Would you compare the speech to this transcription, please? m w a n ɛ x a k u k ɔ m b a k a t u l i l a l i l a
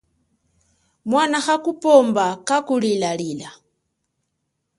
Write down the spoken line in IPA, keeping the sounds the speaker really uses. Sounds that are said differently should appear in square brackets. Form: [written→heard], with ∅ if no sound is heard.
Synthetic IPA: m w a n [ɛ→a] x a k u [k→p] ɔ m b a k a [t→k] u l i l a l i l a